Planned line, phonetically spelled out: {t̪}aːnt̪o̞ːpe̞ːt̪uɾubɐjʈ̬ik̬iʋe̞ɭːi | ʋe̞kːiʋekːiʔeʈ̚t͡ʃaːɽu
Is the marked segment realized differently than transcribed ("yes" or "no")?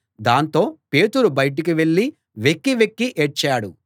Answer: yes